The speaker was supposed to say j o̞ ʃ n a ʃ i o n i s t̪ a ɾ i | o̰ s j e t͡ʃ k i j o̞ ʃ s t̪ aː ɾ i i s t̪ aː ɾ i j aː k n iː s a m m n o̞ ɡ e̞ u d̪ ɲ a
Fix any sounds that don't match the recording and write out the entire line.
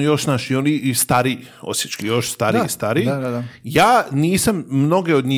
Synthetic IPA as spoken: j o̞ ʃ n a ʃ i o n i s t̪ a ɾ i | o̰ s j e t͡ʃ k i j o̞ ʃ s t̪ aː ɾ i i s t̪ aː ɾ i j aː n iː s a m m n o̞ ɡ e̞ o d̪ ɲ i